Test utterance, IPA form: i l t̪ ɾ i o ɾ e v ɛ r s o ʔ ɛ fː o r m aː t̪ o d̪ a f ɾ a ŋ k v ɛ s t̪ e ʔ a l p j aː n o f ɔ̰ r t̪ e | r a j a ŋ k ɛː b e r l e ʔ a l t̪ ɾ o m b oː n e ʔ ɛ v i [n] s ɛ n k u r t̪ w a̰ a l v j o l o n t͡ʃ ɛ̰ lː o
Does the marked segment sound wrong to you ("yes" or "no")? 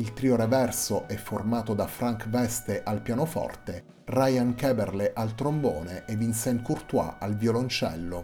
no